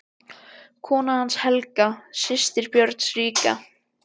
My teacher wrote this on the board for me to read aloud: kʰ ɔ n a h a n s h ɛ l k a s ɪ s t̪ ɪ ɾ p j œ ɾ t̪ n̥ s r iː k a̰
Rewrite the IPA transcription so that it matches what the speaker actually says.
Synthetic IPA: kʰ ɔː n a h a n s h ɛ l k a s ɪ s t̪ ɪ ɾ p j œ ɾ t̪ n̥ s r iː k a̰